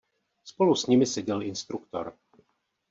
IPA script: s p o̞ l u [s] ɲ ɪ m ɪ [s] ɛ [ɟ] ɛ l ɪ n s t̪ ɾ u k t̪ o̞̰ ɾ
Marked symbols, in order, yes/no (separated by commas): yes, yes, yes